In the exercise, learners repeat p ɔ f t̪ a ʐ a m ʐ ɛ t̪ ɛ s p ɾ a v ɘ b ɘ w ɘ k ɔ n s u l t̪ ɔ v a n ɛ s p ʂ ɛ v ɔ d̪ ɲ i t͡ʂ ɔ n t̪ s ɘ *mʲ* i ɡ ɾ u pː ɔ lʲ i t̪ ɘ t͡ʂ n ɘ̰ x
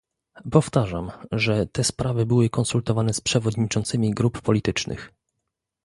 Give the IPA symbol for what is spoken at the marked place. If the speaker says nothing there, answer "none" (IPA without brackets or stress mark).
mʲ